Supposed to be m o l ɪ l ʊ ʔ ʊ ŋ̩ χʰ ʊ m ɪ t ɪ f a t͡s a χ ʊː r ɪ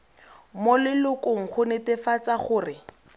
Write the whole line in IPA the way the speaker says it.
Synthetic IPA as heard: m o l ɪ l ʊ k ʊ ŋ̩ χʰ ʊ n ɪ t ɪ f a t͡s a χ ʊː r ɪ